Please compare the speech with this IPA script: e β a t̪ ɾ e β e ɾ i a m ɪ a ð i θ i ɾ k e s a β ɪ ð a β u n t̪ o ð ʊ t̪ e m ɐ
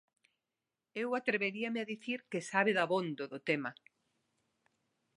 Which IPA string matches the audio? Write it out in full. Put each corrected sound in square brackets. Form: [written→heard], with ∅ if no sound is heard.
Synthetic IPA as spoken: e [β→w] a t̪ ɾ e β e ɾ i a m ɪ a ð i θ i ɾ k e s a β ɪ ð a β [u→o] n [t̪→d̪] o ð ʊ t̪ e m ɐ